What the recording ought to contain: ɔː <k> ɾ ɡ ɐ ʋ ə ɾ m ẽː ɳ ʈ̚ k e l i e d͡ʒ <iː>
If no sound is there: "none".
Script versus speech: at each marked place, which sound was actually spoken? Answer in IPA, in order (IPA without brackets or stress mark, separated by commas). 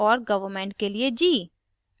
none, iː